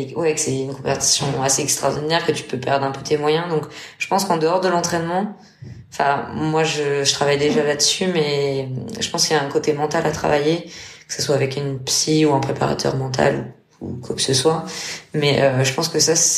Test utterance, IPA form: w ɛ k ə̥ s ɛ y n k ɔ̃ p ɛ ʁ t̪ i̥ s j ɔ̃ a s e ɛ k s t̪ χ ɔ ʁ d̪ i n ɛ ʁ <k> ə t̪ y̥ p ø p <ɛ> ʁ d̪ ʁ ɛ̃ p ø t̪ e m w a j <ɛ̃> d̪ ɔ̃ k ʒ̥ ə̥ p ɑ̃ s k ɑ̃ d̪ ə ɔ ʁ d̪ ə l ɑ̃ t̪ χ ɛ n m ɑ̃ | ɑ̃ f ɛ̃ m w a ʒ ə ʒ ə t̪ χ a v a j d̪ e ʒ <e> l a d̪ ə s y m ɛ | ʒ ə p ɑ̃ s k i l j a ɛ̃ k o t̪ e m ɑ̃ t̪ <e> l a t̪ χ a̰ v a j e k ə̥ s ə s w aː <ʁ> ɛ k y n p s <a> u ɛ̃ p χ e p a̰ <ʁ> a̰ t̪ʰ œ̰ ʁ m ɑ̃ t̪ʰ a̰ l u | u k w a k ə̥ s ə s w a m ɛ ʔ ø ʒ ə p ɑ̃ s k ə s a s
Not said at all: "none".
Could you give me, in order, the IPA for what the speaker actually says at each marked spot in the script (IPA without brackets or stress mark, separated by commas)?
k, ɛ, ɛ̃, a, a, v, i, ʁ